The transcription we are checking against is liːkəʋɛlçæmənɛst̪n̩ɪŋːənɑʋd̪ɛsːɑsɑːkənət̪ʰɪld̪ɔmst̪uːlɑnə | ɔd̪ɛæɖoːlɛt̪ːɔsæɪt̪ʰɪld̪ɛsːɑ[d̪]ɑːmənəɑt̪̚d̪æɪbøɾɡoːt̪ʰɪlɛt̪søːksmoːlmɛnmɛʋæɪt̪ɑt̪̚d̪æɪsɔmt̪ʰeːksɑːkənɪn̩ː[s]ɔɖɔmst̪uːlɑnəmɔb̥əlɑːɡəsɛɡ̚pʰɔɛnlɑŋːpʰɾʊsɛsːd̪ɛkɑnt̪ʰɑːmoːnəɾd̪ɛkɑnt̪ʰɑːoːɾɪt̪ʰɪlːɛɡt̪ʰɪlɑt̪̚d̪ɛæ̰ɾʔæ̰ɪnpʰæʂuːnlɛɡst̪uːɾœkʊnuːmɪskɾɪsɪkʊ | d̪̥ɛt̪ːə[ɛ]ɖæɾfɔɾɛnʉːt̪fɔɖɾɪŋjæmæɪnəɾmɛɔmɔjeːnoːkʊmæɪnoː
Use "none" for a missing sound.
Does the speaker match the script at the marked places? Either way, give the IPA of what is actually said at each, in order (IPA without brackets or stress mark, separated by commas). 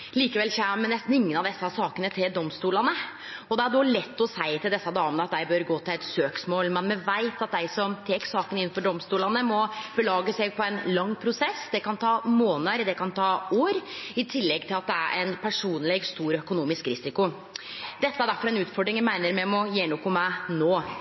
d̪, f, æ